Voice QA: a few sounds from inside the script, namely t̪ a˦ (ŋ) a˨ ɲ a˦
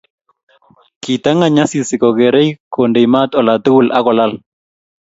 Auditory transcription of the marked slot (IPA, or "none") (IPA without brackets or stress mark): ŋ